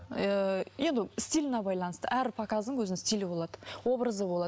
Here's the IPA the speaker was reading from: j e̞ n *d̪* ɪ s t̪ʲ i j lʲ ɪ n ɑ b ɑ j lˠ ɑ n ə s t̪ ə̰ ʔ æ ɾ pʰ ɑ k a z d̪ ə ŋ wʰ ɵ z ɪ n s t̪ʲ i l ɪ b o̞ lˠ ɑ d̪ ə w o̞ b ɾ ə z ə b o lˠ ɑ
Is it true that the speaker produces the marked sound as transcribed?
yes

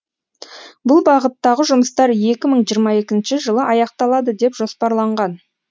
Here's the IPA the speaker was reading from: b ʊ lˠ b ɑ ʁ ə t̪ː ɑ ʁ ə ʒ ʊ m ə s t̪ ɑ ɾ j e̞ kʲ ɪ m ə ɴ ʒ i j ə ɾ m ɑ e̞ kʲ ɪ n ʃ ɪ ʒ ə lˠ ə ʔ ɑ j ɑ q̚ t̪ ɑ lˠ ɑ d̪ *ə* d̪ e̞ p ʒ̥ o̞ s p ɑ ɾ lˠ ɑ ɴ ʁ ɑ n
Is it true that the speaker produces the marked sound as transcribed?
yes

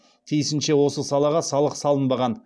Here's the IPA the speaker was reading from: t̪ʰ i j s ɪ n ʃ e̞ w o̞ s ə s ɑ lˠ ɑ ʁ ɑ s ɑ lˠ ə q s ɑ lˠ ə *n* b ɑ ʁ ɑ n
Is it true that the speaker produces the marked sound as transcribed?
yes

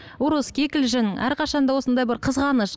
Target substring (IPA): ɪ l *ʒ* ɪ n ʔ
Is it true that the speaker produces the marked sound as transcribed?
yes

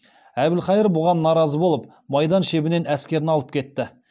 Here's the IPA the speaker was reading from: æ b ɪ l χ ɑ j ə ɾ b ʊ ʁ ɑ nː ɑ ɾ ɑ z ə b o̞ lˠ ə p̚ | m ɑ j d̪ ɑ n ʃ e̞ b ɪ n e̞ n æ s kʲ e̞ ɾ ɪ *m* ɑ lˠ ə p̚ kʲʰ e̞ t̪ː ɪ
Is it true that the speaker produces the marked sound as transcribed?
no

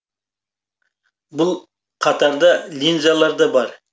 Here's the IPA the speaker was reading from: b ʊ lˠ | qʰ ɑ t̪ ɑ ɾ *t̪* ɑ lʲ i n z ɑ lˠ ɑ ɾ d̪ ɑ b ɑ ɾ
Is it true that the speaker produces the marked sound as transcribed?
no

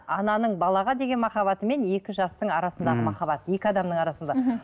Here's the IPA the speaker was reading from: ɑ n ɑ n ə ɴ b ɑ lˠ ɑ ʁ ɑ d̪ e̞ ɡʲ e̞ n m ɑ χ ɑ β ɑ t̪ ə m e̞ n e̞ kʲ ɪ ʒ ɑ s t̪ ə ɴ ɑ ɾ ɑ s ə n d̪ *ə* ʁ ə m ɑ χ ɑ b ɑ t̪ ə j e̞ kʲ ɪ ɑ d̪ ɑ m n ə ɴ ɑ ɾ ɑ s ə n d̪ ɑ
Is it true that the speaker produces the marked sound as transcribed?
no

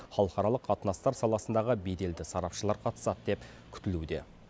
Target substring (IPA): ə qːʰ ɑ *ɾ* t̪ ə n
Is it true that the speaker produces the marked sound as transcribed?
no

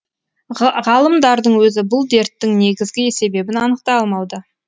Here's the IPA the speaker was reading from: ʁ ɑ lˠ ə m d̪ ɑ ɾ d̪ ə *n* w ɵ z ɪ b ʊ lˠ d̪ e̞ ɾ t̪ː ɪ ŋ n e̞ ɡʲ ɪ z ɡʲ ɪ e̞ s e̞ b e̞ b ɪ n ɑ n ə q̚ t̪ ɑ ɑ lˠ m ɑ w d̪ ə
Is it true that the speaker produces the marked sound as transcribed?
no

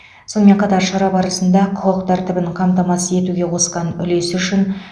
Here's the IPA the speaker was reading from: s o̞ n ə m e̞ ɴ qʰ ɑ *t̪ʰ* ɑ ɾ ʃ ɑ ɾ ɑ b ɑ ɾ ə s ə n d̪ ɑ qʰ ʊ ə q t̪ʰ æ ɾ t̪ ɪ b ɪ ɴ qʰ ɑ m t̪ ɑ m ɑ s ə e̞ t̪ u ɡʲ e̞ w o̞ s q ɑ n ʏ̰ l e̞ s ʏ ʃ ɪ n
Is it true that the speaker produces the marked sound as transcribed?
no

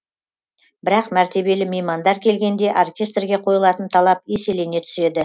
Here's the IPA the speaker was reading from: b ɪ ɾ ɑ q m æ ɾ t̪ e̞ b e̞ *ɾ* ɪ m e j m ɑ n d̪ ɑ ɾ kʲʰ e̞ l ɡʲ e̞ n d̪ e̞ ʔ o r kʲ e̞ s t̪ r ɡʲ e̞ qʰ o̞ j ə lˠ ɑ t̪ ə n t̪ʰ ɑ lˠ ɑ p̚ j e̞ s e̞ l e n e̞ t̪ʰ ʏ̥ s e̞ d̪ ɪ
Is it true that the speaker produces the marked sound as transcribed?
no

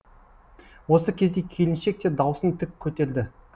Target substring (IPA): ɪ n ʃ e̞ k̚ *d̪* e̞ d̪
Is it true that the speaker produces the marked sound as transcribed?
no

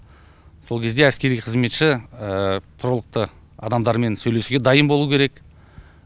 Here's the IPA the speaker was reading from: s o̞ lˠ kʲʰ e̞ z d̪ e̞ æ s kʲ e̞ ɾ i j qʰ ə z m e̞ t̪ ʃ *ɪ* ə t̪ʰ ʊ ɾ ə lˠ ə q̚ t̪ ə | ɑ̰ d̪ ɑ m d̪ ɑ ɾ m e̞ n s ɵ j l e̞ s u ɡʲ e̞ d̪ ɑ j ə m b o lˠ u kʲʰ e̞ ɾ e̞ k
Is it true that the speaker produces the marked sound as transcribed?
yes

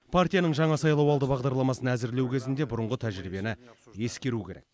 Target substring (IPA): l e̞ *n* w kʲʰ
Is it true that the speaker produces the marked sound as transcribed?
no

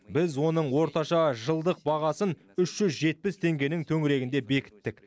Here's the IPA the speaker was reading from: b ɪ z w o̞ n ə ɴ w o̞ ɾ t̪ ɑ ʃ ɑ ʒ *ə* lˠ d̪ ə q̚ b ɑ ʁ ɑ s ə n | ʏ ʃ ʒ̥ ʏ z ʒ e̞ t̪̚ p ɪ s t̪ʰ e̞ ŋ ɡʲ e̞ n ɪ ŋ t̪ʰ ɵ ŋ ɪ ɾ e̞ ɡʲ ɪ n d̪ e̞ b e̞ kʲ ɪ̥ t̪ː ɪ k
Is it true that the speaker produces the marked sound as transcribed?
yes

